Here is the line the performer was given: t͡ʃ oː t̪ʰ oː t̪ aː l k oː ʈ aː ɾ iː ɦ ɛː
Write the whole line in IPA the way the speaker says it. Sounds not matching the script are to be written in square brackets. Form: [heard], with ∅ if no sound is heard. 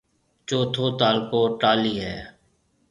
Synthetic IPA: t͡ʃ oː t̪ʰ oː t̪ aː l k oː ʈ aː [l] iː ɦ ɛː